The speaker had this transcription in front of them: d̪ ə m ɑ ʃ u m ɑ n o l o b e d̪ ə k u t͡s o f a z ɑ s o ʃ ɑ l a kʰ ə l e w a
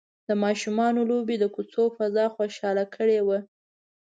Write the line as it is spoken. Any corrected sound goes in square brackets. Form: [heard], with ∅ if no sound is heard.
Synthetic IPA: d̪ ə m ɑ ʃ u m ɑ n o l o b e d̪ ə k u t͡s o f a z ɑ [x] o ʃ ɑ l a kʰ ə [ɽ] e w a